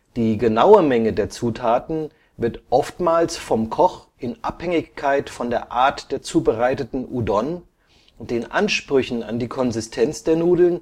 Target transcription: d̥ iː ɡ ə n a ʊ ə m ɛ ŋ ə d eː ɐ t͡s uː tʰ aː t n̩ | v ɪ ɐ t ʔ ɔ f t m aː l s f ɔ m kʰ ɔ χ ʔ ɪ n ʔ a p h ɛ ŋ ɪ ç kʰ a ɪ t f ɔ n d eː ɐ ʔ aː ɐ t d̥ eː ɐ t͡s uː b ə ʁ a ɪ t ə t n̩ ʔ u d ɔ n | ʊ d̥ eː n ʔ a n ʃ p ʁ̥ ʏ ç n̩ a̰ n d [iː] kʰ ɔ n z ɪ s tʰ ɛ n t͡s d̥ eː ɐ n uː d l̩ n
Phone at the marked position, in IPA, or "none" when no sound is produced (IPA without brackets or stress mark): iː